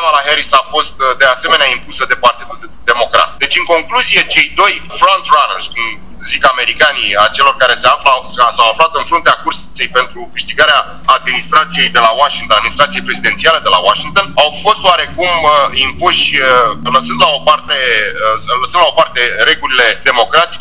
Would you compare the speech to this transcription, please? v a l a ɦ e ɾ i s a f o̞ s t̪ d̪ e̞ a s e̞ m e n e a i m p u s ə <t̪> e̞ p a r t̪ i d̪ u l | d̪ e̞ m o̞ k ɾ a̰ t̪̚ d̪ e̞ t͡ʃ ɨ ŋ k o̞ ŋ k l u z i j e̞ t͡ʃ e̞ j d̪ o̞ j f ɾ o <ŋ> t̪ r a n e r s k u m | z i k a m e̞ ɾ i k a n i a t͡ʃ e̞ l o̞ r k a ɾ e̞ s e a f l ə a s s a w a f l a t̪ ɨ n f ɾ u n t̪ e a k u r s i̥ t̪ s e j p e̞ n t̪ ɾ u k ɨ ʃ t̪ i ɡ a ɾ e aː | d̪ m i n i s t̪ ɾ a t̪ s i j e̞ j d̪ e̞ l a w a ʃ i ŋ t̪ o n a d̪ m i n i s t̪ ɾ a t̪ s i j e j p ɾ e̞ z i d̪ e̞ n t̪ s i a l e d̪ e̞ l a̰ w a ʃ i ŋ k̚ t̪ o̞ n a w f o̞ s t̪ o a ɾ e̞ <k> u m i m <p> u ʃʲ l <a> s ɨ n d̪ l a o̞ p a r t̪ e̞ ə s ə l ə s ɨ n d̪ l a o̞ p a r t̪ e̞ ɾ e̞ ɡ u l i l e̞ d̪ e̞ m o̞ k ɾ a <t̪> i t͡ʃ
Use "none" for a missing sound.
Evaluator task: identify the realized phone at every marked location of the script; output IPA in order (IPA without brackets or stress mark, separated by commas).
d̪, n, k, p, ə, t̪